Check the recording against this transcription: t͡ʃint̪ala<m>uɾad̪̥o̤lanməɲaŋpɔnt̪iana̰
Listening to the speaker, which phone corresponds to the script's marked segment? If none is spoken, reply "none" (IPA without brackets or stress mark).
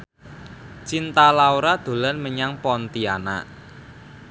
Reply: none